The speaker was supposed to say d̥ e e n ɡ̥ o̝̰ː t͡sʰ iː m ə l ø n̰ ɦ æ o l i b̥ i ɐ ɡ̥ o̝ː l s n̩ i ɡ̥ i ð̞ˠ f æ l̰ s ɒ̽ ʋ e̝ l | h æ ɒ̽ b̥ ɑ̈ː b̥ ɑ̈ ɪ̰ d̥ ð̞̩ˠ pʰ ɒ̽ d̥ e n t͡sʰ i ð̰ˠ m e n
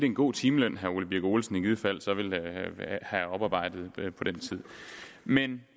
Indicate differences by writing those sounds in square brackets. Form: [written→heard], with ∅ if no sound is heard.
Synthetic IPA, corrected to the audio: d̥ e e n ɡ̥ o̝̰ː t͡sʰ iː m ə l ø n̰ ɦ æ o l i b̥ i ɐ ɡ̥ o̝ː l s n̩ i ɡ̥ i ð̞ˠ f æ l̰ s ɒ̽ ʋ e̝ l | h æ ɒ̽ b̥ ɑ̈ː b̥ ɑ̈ ɪ̰ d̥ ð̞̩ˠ pʰ ɒ̽ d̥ e n t͡sʰ i ð̰ˠ m e n